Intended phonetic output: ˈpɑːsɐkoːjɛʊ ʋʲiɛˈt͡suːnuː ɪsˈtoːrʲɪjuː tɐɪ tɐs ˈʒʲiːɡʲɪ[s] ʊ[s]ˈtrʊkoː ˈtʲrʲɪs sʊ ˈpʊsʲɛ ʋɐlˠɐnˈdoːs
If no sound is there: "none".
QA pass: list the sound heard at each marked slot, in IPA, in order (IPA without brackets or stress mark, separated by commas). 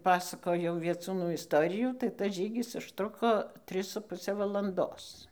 s, ʃ